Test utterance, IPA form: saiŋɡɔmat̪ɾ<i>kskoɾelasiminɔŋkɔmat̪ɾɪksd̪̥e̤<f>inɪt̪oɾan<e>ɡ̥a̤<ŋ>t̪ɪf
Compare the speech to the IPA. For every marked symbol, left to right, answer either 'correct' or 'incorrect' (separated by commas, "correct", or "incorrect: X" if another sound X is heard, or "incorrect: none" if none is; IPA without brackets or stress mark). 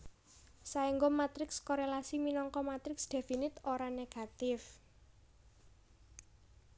incorrect: ɪ, correct, correct, incorrect: none